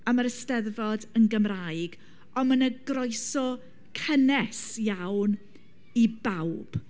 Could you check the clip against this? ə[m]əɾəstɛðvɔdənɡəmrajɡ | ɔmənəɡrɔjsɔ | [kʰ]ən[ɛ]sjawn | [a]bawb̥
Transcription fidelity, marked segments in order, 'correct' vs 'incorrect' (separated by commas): correct, correct, correct, incorrect